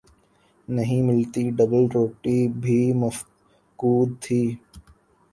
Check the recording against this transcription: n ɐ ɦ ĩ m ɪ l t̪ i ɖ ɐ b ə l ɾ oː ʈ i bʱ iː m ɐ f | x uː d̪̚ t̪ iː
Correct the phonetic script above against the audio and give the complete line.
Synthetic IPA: n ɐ ɦ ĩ m ɪ l t̪ i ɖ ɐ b ə l ɾ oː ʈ i bʱ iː m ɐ f | k uː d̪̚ t̪ʰ iː

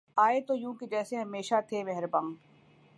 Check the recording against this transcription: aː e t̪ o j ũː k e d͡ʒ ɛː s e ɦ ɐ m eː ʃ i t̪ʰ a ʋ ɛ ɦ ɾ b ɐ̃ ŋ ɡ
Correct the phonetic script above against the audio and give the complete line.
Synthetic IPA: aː e t̪ o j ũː k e d͡ʒ ɛː s e ɦ ɐ m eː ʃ a t̪ʰ e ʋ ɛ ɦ ɾ b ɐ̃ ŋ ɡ

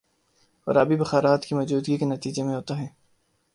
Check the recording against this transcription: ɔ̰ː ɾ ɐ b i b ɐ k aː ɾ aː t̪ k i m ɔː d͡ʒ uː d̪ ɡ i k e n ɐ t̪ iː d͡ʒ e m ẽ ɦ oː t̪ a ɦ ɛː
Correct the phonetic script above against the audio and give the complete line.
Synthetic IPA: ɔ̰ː ɾ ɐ b i b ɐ x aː ɾ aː t̪ k i m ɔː d͡ʒ uː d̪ ɡ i k e n ɐ t̪ iː d͡ʒ e m ẽ ɦ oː t̪ a ɦ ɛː

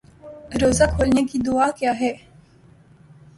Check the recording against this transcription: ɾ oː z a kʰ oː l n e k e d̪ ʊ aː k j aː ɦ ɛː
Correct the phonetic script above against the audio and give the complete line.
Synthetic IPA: ɾ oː z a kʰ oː l n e k i d̪ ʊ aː k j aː ɦ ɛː

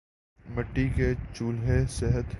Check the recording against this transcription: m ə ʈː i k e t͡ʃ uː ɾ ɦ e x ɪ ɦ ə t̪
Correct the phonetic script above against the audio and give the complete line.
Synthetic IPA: m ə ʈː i k e t͡ʃ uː l ɦ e s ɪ ɦ ə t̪

